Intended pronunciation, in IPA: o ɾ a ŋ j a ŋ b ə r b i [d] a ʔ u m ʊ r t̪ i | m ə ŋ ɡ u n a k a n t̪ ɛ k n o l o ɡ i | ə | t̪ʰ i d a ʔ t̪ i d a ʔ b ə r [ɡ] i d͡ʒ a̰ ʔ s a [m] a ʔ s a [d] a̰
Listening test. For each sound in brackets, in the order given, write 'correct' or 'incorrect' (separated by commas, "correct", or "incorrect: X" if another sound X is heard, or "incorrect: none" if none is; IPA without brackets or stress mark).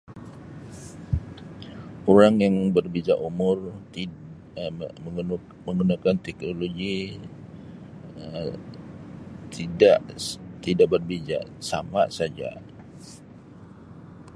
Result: incorrect: d͡ʒ, incorrect: b, correct, incorrect: d͡ʒ